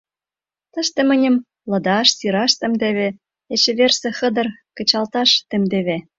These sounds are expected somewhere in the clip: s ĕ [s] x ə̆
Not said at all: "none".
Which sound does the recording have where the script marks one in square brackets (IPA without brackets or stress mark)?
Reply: none